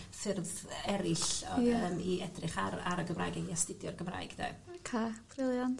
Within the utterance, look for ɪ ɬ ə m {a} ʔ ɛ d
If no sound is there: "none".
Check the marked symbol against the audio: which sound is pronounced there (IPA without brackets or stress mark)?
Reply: i